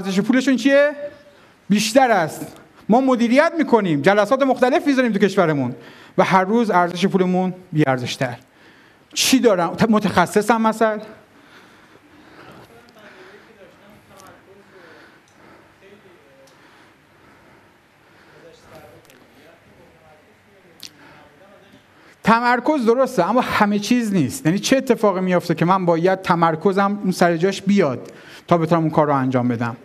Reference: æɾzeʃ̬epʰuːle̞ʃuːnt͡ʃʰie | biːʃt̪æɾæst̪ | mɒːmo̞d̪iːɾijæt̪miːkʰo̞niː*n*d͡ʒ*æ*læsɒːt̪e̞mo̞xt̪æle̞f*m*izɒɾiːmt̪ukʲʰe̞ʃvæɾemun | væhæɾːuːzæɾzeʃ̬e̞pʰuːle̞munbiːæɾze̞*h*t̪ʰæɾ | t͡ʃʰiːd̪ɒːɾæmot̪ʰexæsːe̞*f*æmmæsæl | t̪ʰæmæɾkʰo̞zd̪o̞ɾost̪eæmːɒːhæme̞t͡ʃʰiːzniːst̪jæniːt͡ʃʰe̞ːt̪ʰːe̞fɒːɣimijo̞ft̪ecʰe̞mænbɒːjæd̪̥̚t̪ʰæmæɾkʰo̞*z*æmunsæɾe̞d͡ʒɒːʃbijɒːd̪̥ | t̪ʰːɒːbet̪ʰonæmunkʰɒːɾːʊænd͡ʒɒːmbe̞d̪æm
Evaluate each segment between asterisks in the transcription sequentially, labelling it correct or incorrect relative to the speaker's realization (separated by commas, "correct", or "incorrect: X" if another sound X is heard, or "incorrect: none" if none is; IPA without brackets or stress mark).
incorrect: m, correct, correct, incorrect: ʃ, incorrect: s, correct